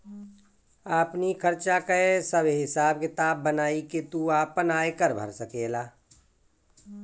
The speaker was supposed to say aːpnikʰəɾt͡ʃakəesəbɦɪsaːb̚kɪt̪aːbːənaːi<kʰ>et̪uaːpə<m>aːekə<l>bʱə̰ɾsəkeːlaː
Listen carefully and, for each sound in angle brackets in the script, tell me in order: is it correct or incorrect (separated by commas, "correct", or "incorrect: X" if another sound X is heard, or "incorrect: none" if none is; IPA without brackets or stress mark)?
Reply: incorrect: k, incorrect: n, incorrect: ɾ